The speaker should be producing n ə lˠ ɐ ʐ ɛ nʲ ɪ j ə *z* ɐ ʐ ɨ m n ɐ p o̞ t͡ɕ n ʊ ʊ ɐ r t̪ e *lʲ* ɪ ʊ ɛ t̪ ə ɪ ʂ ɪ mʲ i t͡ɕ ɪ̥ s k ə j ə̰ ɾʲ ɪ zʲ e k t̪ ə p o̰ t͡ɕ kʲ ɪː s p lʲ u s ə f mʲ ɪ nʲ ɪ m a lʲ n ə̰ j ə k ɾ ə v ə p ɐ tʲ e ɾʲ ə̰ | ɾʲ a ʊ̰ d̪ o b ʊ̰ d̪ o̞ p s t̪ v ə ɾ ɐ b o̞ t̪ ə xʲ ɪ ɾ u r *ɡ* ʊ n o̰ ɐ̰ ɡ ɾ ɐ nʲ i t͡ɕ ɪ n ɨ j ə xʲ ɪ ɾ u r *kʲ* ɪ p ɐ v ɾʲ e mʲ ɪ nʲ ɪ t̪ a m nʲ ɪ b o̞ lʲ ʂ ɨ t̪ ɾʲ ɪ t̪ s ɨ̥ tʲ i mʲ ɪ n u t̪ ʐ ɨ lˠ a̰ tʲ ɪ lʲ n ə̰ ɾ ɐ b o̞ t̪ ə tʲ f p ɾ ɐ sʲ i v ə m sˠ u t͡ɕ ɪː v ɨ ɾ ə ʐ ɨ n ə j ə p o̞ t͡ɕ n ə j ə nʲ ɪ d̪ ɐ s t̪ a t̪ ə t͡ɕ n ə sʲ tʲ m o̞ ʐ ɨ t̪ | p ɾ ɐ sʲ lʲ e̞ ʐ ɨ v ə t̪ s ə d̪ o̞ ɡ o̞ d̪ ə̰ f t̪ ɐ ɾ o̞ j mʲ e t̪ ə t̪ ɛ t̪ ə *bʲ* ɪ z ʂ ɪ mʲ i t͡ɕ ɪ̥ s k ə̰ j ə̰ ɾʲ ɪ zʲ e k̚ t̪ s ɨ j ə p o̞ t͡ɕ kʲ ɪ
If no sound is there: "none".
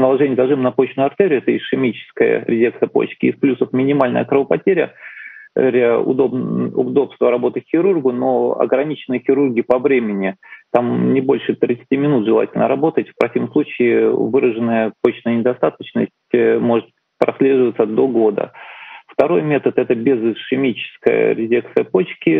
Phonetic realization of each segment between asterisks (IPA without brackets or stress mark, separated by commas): z, ɾʲ, ɡ, ɡʲ, bʲ